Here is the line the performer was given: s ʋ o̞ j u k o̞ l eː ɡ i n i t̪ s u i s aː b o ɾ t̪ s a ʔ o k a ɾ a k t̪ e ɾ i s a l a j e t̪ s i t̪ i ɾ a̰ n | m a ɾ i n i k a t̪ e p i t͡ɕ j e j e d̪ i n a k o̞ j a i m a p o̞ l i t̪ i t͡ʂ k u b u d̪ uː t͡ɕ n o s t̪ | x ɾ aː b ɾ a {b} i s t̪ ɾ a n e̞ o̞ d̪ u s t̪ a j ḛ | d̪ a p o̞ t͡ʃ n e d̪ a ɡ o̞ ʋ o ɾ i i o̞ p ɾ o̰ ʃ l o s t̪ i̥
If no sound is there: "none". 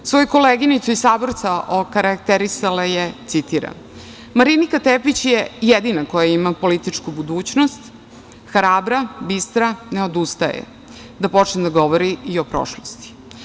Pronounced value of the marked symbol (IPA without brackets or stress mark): b